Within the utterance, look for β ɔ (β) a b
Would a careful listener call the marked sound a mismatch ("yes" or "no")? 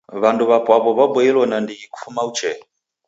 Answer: no